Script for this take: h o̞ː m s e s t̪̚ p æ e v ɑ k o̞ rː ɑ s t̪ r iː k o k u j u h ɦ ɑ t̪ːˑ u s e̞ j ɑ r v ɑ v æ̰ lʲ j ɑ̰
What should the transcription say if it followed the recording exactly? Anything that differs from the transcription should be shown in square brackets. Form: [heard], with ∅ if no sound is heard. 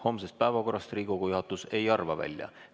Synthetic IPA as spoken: h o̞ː m s e s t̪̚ p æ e v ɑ k o̞ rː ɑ s t̪ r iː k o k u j u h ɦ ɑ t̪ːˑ u s e̞ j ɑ r v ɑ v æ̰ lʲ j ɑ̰